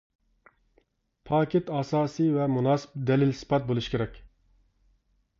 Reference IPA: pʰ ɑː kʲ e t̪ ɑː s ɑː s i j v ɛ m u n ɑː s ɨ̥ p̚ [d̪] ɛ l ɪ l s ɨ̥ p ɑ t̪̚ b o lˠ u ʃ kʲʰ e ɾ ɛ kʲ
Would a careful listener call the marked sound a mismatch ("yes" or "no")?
no